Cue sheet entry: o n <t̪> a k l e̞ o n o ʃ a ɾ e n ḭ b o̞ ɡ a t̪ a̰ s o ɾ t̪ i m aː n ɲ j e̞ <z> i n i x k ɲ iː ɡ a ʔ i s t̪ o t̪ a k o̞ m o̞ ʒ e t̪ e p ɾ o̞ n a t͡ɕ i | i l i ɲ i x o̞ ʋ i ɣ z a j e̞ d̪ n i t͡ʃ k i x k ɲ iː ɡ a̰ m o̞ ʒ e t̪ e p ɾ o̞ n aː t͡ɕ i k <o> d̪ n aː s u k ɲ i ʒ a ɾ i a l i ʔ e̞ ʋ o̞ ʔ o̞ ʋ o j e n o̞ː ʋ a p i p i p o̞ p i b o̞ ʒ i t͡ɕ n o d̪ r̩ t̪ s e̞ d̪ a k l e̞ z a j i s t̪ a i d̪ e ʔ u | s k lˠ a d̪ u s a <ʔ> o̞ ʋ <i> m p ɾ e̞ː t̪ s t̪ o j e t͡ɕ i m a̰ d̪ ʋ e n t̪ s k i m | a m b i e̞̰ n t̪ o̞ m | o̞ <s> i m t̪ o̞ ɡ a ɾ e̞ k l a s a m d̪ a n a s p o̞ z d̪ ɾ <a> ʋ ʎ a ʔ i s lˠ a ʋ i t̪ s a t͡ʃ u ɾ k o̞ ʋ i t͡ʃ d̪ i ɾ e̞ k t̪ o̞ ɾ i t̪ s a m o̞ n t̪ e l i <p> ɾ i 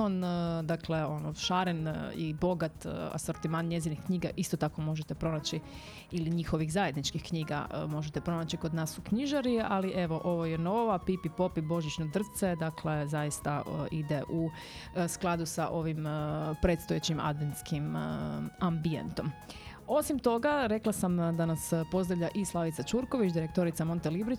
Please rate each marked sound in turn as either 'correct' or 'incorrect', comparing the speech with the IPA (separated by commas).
incorrect, correct, correct, correct, correct, correct, correct, incorrect